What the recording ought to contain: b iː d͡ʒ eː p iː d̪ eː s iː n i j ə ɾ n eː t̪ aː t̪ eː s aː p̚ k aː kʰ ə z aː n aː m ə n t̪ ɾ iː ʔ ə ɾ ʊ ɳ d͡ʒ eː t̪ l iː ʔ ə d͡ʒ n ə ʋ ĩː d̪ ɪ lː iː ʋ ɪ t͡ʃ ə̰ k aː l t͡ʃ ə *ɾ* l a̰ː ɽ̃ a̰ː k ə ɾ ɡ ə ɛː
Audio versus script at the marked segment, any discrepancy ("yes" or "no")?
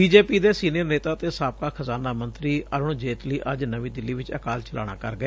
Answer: yes